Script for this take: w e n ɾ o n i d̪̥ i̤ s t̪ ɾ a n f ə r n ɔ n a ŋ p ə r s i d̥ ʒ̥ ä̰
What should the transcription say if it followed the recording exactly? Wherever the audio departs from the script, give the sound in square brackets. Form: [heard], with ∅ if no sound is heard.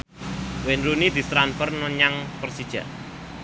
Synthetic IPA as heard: w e n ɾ [u] n i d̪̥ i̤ s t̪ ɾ a n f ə r n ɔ [ɲ] a ŋ p ə r s i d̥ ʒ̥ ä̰